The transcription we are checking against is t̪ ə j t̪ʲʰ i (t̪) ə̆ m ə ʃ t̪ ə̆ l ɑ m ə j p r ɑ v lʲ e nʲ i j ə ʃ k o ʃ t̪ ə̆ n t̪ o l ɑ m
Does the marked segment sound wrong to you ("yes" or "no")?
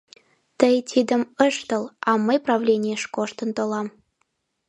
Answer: yes